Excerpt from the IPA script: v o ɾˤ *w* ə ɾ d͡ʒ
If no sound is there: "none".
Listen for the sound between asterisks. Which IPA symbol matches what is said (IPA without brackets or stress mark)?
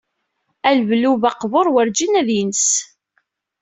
w